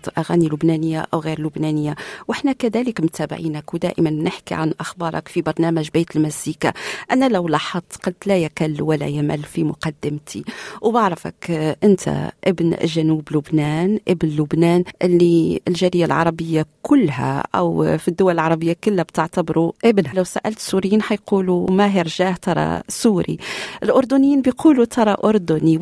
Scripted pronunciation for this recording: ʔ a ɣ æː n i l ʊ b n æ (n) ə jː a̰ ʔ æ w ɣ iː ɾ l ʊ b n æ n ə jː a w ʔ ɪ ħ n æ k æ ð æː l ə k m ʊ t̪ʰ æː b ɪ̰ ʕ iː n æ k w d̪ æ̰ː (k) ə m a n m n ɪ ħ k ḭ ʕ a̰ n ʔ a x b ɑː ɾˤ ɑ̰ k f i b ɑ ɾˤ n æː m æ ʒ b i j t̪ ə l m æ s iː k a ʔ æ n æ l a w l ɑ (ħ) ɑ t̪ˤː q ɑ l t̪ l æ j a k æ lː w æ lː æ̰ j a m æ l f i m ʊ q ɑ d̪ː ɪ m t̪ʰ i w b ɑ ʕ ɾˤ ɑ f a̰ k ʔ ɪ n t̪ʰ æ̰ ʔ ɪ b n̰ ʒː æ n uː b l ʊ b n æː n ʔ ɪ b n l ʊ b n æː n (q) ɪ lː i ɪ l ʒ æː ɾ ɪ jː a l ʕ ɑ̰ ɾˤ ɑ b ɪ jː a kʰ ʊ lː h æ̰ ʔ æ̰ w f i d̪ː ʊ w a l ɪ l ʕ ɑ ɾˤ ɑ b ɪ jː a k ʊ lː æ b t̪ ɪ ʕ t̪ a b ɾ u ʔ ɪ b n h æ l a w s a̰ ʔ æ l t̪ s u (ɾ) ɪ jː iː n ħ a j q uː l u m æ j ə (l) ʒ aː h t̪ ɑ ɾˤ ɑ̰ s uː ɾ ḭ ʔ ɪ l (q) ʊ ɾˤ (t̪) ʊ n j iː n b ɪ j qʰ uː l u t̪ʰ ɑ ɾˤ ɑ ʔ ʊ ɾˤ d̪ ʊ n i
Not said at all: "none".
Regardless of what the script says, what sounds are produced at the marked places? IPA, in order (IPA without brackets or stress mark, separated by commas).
n, ʔ, ħ, ʔ, ɾ, ɾ, ʔ, d̪